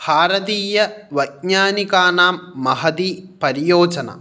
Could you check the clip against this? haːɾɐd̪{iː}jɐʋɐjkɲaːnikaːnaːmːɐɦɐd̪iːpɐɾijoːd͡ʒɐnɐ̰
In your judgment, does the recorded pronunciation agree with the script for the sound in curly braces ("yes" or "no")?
yes